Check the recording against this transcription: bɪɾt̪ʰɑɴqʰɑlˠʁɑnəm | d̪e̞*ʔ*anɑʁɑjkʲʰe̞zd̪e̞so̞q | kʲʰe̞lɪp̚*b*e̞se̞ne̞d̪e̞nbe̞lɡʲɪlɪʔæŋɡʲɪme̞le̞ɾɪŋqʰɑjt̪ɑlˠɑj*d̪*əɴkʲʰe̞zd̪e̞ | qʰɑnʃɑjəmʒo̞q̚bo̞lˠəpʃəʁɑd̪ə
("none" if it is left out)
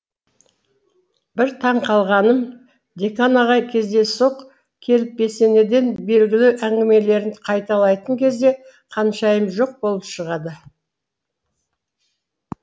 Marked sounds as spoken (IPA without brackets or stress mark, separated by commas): k, b, t̪